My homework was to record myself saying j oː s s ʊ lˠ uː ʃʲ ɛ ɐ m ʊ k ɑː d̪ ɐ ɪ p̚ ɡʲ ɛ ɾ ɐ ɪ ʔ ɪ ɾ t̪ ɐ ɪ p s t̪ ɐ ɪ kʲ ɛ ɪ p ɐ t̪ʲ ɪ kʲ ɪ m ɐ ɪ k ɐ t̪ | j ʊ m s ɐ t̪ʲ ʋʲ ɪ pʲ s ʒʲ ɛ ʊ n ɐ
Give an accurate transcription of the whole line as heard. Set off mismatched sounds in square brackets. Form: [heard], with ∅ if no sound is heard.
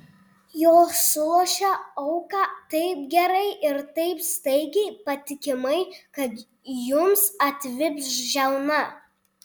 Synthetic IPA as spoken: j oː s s ʊ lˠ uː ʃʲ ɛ ɐ [∅] ʊ k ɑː [t̪] ɐ ɪ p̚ ɡʲ ɛ ɾ ɐ ɪ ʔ ɪ ɾ t̪ ɐ ɪ p s t̪ ɐ ɪ [ɡʲ] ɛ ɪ p ɐ t̪ʲ ɪ kʲ ɪ m ɐ ɪ k ɐ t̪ | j ʊ m s ɐ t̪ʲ ʋʲ ɪ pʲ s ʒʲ ɛ ʊ n ɐ